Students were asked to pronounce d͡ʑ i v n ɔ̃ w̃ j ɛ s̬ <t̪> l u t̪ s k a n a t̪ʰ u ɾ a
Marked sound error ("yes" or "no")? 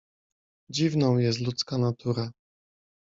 no